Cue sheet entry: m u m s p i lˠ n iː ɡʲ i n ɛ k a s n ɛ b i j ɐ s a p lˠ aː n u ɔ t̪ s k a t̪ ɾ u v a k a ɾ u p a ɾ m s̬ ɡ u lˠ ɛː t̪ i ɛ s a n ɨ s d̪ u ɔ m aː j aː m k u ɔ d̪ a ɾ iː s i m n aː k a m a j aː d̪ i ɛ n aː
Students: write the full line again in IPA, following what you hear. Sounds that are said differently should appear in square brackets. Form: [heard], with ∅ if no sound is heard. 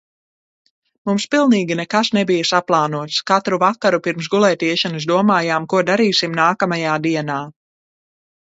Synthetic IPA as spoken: m u m s p i lˠ n iː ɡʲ i n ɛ k a s n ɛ b i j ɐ s a p lˠ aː n u ɔ t̪ s k a t̪ ɾ u v a k a ɾ u p [i] ɾ m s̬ ɡ u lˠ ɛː t̪ i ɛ [ʃ] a n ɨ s d̪ u ɔ m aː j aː m k u ɔ d̪ a ɾ iː s i m n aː k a m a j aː d̪ i ɛ n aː